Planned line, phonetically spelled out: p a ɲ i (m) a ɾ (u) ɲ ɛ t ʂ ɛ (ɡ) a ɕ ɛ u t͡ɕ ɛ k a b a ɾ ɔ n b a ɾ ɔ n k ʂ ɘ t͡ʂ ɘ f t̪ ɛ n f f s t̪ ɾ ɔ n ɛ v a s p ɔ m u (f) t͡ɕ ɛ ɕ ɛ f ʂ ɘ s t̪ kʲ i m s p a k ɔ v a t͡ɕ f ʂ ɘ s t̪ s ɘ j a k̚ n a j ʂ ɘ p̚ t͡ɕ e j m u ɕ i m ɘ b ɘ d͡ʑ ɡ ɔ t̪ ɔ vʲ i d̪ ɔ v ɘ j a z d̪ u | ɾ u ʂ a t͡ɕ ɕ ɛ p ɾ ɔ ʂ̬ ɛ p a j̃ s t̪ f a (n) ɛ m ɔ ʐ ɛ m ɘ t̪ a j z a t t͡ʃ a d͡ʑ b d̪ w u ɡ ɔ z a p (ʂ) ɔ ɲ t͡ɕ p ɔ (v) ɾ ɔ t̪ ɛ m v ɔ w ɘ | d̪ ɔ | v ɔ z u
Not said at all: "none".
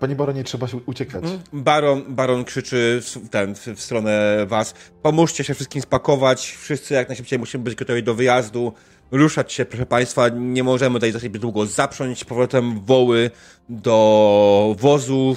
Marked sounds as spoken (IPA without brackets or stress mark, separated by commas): b, ɔ, b, ʂ, ɲ, ʂ, v